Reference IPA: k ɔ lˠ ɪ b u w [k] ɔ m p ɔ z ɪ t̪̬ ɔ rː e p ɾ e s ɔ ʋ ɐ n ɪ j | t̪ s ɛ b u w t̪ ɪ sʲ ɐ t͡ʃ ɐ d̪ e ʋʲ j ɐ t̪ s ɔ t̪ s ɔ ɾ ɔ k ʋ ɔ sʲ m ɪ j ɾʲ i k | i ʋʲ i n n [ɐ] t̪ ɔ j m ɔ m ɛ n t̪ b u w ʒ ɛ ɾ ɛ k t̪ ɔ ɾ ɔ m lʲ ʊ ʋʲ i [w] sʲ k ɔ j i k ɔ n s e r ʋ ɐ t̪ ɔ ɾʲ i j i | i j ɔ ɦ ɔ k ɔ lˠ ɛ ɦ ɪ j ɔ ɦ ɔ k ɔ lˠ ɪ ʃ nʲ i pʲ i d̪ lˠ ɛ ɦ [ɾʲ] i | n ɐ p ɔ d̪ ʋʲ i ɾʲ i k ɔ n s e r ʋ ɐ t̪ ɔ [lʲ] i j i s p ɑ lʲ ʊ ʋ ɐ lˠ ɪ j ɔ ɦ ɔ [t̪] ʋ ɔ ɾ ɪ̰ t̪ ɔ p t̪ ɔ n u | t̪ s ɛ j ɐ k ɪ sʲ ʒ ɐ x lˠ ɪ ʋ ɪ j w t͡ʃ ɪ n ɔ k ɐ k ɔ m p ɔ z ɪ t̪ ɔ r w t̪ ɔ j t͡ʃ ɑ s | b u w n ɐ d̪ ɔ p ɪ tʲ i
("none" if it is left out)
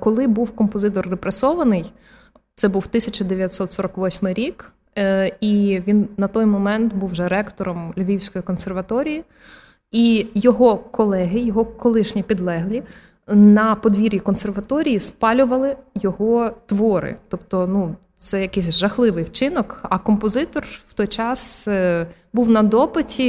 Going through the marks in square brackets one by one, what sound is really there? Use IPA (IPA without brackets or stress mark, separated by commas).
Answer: k, ɐ, w, lʲ, ɾʲ, t̪